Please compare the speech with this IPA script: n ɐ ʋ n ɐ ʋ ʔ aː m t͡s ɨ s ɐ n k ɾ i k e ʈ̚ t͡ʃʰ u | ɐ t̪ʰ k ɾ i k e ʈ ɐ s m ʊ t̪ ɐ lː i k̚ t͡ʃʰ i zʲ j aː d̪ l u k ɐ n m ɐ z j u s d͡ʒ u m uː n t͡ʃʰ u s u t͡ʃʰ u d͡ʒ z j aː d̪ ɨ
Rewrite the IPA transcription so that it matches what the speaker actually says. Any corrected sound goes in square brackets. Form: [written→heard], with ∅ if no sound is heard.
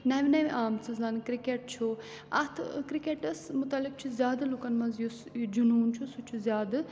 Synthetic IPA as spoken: n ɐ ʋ n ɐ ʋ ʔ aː m t͡s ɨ [s→z] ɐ n k ɾ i k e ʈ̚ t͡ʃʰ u | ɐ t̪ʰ k ɾ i k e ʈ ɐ s m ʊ t̪ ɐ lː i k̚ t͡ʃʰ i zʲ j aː d̪ l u k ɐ n m ɐ z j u s d͡ʒ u [m→n] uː n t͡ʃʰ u s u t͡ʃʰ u [d͡ʒ→∅] z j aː d̪ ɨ